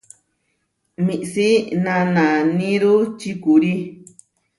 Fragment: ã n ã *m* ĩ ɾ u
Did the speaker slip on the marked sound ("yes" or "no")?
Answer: yes